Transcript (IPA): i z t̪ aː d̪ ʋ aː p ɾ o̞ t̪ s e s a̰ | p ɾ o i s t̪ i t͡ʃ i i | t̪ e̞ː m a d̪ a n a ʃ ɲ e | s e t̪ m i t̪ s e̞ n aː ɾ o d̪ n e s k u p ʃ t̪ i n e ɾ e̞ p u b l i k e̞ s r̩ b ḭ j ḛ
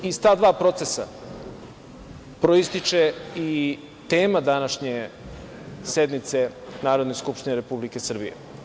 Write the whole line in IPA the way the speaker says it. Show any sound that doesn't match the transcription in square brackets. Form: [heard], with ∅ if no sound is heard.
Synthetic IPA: i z t̪ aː d̪ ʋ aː p ɾ o̞ t̪ s e s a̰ | p ɾ o i s t̪ i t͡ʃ [e] i | t̪ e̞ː m a d̪ a n a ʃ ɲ e | s e [d̪] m i t̪ s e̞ n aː ɾ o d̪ n e s k u p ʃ t̪ i n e ɾ e̞ p u b l i k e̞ s r̩ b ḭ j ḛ